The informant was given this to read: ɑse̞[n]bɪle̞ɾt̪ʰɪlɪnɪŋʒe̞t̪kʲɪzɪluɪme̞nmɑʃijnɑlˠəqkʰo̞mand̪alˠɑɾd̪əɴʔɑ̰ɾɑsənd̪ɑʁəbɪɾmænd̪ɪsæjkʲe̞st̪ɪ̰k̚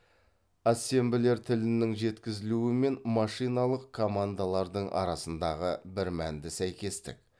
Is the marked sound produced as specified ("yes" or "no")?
no